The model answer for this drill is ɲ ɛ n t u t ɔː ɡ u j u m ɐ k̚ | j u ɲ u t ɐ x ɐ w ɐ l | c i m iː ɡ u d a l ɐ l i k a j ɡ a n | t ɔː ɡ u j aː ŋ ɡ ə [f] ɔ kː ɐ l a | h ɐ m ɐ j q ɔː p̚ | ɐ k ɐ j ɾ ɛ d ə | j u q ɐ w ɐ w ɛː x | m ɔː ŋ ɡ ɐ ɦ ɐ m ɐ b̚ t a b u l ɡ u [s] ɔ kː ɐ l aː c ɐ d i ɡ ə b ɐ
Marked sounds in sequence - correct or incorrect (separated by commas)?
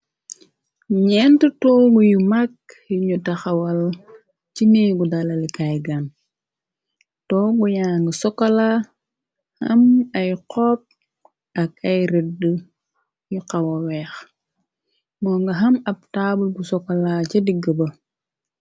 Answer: incorrect, correct